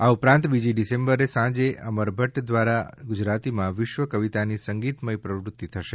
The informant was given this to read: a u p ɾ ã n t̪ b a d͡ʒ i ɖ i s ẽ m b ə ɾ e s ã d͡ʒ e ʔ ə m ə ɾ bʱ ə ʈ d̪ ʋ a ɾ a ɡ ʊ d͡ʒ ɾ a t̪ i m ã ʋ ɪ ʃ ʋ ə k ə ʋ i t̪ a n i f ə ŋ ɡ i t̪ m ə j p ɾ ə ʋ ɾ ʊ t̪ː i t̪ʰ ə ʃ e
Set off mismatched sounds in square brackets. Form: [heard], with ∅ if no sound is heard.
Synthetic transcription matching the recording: a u p ɾ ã n t̪ b [i] d͡ʒ i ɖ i s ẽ m b ə ɾ e s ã d͡ʒ e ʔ ə m ə ɾ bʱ ə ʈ d̪ ʋ a ɾ a ɡ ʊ d͡ʒ ɾ a t̪ i m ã ʋ ɪ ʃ ʋ ə k ə ʋ i t̪ a n i [s] ə ŋ ɡ i t̪ m ə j p ɾ ə ʋ ɾ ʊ t̪ː i t̪ʰ ə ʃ e